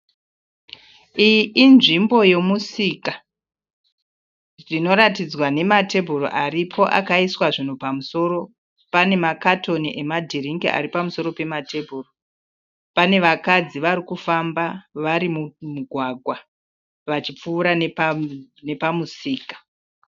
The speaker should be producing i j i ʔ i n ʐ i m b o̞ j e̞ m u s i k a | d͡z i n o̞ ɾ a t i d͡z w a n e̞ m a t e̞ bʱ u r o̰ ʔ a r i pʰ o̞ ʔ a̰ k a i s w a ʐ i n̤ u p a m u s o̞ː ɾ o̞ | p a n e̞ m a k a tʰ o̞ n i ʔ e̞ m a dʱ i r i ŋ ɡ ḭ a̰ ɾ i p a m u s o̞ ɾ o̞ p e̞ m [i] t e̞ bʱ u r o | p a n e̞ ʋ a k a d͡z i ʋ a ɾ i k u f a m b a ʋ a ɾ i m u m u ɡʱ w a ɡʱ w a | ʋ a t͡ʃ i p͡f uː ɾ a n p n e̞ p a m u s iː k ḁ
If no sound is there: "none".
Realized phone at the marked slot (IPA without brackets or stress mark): a